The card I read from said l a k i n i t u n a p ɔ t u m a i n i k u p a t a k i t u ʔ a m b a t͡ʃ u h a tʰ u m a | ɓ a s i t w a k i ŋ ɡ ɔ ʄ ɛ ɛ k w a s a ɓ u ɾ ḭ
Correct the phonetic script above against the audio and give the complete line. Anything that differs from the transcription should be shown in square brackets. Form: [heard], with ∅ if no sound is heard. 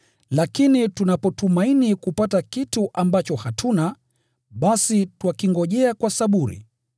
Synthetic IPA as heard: l a k i n i t u n a p ɔ t u m a i n i k u p a t a k i t u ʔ a m b a t͡ʃ [ɔ] h a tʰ u [n] a | ɓ a s i t w a k i ŋ ɡ ɔ ʄ ɛ [a] k w a s a ɓ u ɾ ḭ